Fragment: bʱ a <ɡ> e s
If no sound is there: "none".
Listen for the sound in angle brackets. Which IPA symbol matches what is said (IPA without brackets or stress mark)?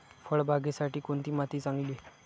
ɡ